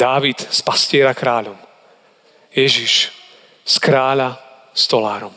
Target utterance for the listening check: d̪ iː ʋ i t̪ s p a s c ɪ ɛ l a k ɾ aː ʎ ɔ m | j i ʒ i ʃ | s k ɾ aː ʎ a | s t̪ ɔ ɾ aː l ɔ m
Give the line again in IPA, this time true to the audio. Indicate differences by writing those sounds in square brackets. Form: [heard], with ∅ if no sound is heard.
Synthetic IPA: d̪ [aː] ʋ i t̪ s p a s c ɪ ɛ [ɾ] a k ɾ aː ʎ ɔ m | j [ɛ] ʒ i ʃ | s k ɾ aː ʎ a | s t̪ ɔ [l] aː [ɾ] ɔ m